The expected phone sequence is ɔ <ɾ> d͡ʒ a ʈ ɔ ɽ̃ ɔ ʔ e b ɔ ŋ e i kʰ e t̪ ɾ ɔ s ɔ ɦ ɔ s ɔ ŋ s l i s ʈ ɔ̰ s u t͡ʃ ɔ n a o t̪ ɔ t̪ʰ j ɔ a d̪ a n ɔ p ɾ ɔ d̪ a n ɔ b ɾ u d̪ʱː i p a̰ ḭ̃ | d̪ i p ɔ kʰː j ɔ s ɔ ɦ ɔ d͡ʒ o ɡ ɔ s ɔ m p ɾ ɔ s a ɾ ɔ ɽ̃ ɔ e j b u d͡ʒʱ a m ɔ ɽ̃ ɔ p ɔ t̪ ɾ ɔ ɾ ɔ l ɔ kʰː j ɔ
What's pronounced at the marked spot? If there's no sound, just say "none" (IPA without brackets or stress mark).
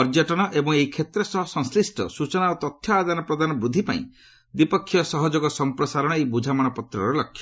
ɾ